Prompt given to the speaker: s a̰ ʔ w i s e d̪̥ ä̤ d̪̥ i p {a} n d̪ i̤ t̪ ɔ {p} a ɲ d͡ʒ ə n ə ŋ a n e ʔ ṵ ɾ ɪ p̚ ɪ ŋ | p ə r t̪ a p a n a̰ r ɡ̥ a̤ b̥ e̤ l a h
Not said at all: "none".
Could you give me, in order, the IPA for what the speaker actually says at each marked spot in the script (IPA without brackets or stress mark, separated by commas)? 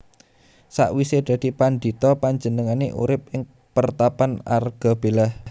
a, p